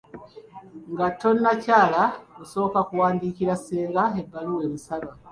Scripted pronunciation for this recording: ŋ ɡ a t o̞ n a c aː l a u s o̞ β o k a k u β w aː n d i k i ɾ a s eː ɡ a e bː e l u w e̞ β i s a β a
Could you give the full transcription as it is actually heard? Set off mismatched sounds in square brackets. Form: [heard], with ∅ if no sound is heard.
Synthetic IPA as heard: ŋ ɡ a t o̞ n a c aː l a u s o̞ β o k a k u [∅] w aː n d i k i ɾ a s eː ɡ a e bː [a] l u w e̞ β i s a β a